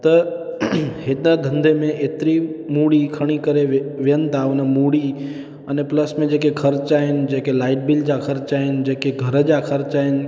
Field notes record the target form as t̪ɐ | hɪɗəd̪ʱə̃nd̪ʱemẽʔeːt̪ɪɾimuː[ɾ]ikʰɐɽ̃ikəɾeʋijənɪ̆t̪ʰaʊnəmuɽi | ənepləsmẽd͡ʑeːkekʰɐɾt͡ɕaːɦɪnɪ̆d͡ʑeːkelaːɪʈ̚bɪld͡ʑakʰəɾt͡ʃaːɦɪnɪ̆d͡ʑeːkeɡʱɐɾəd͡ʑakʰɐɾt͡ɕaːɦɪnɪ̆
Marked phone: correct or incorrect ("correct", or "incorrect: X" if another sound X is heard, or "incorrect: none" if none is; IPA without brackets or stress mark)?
incorrect: ɽ